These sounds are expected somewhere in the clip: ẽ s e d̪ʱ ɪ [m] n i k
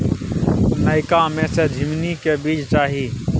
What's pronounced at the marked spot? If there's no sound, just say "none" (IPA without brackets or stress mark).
m